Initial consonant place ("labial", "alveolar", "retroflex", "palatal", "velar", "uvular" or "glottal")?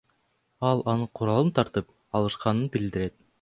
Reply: alveolar